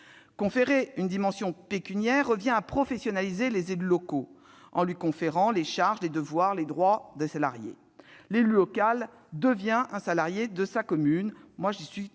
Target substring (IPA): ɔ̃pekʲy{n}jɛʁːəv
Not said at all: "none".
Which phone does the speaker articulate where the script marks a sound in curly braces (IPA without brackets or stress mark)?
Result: n